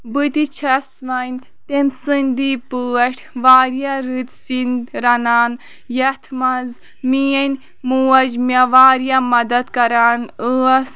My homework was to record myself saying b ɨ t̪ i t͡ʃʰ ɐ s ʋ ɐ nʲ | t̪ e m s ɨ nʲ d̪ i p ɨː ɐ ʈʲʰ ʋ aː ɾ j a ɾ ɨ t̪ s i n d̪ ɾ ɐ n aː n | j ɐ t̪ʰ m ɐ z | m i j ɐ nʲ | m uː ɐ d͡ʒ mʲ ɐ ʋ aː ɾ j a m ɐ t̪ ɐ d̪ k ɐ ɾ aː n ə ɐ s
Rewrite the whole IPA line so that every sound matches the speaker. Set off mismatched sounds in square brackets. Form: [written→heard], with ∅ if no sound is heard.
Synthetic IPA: b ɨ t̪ i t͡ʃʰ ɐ s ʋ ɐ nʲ | t̪ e m s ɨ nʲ d̪ i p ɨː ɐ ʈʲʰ ʋ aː ɾ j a ɾ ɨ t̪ s i n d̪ ɾ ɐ n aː n | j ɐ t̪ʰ m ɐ z | m i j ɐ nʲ | m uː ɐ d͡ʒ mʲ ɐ ʋ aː ɾ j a m ɐ [t̪→d̪] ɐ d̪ k ɐ ɾ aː n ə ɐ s